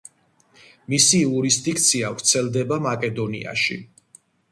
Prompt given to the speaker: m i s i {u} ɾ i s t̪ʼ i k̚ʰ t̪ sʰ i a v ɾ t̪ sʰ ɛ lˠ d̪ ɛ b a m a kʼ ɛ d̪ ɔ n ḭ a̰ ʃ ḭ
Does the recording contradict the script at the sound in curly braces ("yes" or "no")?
no